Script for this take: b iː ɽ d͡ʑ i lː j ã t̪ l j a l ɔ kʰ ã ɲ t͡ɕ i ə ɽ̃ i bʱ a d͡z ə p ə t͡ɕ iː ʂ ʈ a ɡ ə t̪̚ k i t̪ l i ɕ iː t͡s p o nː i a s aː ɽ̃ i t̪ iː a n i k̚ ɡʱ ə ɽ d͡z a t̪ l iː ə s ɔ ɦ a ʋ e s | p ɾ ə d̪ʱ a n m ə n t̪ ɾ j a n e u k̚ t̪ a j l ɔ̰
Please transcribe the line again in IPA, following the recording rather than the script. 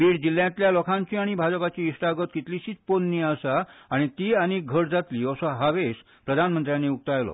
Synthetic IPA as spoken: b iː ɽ d͡ʑ i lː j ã t̪ l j a l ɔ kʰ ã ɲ t͡ɕ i a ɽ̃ i bʱ a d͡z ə p a t͡ɕ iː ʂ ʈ a ɡ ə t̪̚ k i t̪ l i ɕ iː t͡s p o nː i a s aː ɽ̃ i t̪ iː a n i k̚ ɡʱ ə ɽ d͡z a t̪ l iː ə s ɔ ɦ a ʋ e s | p ɾ ə d̪ʱ a n m ə n t̪ ɾ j a n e u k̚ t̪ a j l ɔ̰